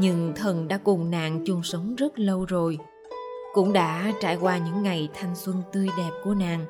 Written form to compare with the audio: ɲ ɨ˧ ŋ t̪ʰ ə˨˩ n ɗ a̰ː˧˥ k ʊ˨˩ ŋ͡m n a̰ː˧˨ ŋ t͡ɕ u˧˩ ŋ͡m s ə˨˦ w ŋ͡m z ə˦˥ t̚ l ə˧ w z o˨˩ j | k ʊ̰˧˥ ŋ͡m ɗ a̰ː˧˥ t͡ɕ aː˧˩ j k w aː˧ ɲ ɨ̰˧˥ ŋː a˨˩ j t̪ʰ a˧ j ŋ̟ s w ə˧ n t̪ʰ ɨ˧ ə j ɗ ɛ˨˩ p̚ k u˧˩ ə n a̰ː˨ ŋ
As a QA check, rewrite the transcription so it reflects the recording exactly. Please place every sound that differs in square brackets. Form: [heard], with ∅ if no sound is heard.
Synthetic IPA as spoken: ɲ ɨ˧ ŋ t̪ʰ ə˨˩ n ɗ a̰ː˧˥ k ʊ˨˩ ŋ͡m n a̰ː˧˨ ŋ t͡ɕ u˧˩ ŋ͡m s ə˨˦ w ŋ͡m z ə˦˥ t̚ l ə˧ w z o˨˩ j | k ʊ̰˧˥ ŋ͡m ɗ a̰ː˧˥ t͡ɕ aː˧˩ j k w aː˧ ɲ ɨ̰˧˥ ŋː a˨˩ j t̪ʰ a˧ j ŋ̟ s w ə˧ n [t̪] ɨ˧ ə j ɗ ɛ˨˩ p̚ k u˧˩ ə n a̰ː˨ ŋ